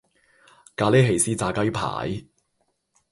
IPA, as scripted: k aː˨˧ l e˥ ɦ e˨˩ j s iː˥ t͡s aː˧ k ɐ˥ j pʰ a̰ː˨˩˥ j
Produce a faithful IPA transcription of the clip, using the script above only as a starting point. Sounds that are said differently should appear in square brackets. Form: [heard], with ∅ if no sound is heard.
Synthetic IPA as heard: k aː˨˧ l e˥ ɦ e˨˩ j s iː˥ t͡s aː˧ k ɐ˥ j pʰ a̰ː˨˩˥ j